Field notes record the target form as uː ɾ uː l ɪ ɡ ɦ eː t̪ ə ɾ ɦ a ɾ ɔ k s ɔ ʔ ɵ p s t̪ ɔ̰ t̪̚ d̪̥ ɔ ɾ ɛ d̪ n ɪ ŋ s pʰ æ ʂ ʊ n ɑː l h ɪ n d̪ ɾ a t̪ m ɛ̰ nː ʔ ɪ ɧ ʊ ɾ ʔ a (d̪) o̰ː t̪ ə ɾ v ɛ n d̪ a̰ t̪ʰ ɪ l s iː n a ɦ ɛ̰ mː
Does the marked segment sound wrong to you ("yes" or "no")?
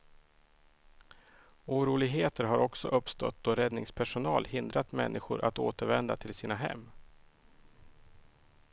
yes